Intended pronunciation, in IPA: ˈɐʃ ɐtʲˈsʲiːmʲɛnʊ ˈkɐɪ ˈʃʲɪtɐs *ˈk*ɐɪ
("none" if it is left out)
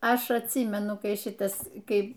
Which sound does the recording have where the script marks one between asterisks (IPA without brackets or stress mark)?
k